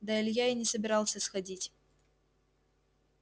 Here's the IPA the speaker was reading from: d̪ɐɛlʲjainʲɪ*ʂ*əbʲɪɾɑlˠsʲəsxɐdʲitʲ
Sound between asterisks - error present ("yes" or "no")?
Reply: yes